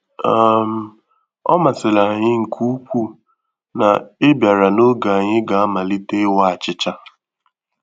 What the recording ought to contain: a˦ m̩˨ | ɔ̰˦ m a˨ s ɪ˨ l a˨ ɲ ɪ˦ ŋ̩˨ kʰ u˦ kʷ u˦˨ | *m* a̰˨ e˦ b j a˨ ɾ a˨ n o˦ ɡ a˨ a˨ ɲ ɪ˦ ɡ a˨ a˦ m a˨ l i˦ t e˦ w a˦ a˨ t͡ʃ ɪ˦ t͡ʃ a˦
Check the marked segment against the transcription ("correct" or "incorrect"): incorrect